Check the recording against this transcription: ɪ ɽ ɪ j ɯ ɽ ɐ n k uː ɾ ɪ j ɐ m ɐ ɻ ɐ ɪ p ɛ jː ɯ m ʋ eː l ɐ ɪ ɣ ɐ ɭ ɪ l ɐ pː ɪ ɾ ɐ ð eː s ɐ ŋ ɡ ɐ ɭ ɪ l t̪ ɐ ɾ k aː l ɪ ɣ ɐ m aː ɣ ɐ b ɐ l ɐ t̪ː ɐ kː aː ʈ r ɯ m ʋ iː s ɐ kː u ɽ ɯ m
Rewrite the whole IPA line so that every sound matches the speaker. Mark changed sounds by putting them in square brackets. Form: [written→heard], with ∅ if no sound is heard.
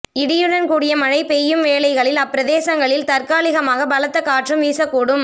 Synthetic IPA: ɪ ɽ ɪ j ɯ ɽ ɐ n k uː [ɾ→ɽ] ɪ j ɐ m ɐ ɻ ɐ ɪ p ɛ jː ɯ m ʋ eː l ɐ ɪ ɣ ɐ ɭ ɪ l ɐ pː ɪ ɾ ɐ ð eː s ɐ ŋ ɡ ɐ ɭ ɪ l t̪ ɐ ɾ k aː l ɪ ɣ ɐ m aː ɣ ɐ b ɐ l ɐ t̪ː ɐ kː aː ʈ r ɯ m ʋ iː s ɐ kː [u→uː] ɽ ɯ m

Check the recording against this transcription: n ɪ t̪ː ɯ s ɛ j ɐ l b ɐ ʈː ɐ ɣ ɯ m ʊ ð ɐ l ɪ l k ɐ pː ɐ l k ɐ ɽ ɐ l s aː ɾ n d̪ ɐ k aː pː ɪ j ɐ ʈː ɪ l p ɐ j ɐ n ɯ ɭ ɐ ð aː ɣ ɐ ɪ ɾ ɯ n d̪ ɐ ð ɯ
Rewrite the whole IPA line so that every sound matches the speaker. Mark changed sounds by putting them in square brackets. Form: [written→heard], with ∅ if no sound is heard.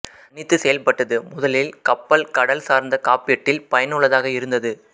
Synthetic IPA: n ɪ t̪ː ɯ s ɛ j ɐ l [b→p] ɐ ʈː ɐ [ɣ→ð] ɯ m ʊ ð ɐ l ɪ l k ɐ pː ɐ l k ɐ ɽ ɐ l s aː ɾ n d̪ ɐ k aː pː ɪ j ɐ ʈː ɪ l p ɐ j ɐ n ɯ ɭ ɐ ð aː ɣ ɐ ɪ ɾ ɯ n d̪ ɐ ð ɯ

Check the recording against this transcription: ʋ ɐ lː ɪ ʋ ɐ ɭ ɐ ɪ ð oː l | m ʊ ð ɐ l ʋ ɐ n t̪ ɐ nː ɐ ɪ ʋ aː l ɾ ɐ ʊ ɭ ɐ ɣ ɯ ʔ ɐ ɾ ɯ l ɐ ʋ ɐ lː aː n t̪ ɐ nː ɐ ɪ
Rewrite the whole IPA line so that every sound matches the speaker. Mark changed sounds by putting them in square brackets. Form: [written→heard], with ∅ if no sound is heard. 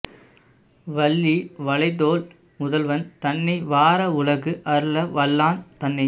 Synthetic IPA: ʋ ɐ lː [ɪ→i] ʋ ɐ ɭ ɐ ɪ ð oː l | m ʊ ð ɐ l ʋ ɐ n t̪ ɐ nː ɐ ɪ ʋ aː [l→∅] ɾ ɐ ʊ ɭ ɐ ɣ ɯ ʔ ɐ ɾ ɯ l ɐ ʋ ɐ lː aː n t̪ ɐ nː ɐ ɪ

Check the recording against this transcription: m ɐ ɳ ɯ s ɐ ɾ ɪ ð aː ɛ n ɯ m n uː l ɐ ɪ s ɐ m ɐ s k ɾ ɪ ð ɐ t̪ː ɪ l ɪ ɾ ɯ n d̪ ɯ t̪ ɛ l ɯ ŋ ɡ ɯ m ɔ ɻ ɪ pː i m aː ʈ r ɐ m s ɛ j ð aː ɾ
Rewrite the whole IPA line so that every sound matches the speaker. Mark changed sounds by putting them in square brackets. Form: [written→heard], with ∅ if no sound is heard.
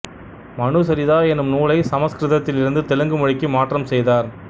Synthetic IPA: m ɐ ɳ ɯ s ɐ ɾ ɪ ð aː ɛ n ɯ m n uː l ɐ ɪ s ɐ m ɐ s k ɾ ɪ ð ɐ t̪ː ɪ l ɪ ɾ ɯ n d̪ ɯ t̪ ɛ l ɯ ŋ ɡ ɯ m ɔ ɻ ɪ [pː→kː] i m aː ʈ r ɐ m s ɛ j ð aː ɾ

